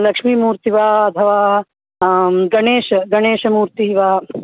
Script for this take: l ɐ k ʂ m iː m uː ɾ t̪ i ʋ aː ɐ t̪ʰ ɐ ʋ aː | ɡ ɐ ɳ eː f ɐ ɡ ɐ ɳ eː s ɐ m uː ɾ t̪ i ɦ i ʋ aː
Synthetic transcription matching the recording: l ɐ k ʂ m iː m uː ɾ t̪ i ʋ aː ɐ t̪ʰ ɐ ʋ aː | ɡ ɐ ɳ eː ʃ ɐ ɡ ɐ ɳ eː ʃ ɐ m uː ɾ t̪ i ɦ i ʋ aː